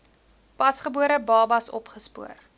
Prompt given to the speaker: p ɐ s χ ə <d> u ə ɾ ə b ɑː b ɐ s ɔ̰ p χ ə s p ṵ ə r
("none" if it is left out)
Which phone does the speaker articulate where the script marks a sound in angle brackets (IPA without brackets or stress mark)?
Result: b